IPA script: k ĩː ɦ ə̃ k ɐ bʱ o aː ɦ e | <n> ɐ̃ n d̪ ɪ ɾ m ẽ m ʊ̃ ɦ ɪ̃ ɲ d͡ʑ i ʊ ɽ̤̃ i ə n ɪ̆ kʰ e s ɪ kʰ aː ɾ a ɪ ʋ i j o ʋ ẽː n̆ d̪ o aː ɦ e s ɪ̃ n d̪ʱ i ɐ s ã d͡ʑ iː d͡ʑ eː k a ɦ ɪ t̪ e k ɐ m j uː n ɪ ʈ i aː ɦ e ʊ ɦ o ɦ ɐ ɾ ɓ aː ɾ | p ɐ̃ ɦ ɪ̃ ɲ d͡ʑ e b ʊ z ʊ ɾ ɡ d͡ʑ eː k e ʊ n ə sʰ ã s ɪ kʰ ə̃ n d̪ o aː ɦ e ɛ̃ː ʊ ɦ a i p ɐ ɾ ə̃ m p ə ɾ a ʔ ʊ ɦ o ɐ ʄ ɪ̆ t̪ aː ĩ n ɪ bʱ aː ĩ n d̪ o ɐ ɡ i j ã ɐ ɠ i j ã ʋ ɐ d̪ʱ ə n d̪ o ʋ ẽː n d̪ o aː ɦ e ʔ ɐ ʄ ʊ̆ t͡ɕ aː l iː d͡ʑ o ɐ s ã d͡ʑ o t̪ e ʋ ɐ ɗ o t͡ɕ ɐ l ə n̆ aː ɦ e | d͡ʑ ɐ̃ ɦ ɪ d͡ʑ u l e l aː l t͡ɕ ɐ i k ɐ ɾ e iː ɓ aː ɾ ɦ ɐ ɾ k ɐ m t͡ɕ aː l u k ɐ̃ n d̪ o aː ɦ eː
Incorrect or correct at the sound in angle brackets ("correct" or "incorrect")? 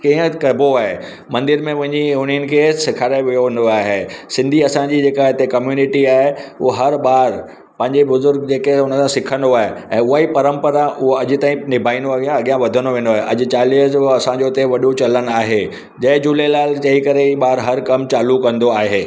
incorrect